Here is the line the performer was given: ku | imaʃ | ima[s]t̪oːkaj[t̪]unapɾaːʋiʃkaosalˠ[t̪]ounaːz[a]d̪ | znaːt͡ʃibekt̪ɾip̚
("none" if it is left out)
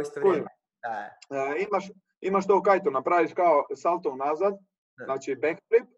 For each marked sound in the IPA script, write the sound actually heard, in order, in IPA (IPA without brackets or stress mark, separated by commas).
ʃ, t̪, t̪, a